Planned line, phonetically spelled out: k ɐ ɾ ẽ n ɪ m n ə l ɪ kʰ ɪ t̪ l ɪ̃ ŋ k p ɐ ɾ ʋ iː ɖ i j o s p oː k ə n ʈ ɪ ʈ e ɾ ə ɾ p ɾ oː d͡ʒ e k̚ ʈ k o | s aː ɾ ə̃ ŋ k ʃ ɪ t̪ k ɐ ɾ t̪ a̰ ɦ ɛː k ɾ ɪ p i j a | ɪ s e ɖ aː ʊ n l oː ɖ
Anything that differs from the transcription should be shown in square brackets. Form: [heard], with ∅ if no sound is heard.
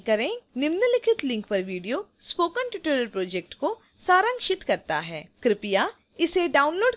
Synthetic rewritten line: k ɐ ɾ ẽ n ɪ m n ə l ɪ kʰ ɪ t̪ l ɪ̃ ŋ k p ɐ ɾ ʋ iː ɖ i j o s p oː k ə n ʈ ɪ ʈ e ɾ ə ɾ p ɾ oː d͡ʒ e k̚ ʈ k o | s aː ɾ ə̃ ŋ k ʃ ɪ t̪ k ɐ ɾ t̪ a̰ ɦ ɛː k ɾ ɪ p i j a | ɪ s e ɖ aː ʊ n l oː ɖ

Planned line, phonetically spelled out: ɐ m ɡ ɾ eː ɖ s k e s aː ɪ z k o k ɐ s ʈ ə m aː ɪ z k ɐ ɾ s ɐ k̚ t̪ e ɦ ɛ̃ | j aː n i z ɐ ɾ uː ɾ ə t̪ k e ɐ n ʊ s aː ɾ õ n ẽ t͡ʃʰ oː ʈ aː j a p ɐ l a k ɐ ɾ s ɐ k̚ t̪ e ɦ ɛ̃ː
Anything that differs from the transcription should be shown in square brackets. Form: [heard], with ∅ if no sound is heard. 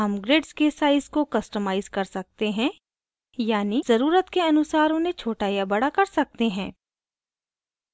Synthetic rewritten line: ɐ m ɡ ɾ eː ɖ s k e s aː ɪ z k o k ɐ s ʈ ə m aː ɪ z k ɐ ɾ s ɐ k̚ t̪ e ɦ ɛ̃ | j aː n i z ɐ ɾ uː ɾ ə t̪ k e ɐ n ʊ s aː ɾ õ n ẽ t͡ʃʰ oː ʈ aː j a [b] ɐ [ɽ] a k ɐ ɾ s ɐ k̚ t̪ e ɦ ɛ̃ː

